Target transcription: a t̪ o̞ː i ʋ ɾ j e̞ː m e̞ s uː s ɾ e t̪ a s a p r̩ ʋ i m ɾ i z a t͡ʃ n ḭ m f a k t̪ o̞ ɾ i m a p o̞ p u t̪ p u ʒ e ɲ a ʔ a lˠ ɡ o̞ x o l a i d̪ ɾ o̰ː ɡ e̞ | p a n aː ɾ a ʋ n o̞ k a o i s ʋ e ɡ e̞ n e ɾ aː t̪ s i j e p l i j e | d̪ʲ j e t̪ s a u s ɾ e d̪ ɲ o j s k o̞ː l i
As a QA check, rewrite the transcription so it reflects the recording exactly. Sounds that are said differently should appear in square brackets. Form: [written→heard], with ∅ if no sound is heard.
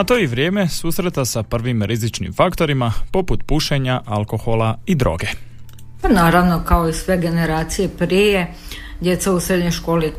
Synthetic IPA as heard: a t̪ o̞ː i ʋ ɾ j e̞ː m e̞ s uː s ɾ e t̪ a s a p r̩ ʋ i m ɾ i z [a→i] t͡ʃ n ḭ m f a k t̪ o̞ ɾ i m a p o̞ p u t̪ p u [ʒ→ʃ] e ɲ a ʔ a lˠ [ɡ→k] o̞ x o l a i d̪ ɾ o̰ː ɡ e̞ | p a n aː ɾ a ʋ n o̞ k a o i s ʋ e ɡ e̞ n e ɾ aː t̪ s i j e p [l→ɾ] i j e | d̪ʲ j e t̪ s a u s ɾ e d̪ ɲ o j [s→ʃ] k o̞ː l i